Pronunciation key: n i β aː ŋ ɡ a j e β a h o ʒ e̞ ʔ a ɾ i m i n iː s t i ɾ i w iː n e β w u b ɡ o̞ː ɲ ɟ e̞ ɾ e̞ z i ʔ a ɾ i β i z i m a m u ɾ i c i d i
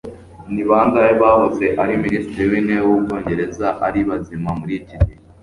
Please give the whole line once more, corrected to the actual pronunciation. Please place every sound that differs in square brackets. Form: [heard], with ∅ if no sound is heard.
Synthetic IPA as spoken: n i β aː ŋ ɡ a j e β a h o [z] e̞ ʔ a ɾ i m i n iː s t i ɾ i w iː n e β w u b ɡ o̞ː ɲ ɟ e̞ ɾ e̞ z [a] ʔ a ɾ i β [a] z i m a m u ɾ i c i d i